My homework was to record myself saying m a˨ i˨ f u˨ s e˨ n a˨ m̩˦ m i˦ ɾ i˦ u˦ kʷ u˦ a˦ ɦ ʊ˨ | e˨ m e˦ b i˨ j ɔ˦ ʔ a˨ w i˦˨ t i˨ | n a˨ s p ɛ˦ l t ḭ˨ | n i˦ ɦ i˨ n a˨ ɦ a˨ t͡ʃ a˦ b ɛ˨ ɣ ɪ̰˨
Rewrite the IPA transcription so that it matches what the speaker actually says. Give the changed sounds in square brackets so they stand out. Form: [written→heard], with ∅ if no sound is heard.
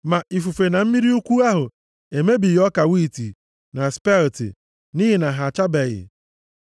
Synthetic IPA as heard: m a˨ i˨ f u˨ [s→f] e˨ n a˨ m̩˦ m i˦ ɾ i˦ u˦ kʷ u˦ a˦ ɦ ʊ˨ | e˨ m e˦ b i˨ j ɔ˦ [ʔ→k] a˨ w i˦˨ t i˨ | n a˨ s p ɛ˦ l t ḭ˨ | n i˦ ɦ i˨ n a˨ ɦ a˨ t͡ʃ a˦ b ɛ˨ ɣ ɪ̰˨